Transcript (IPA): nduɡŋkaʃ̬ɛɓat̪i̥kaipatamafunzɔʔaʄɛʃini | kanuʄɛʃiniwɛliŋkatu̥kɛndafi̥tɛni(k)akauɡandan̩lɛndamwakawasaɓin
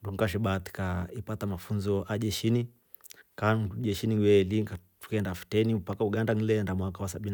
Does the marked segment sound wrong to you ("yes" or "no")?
yes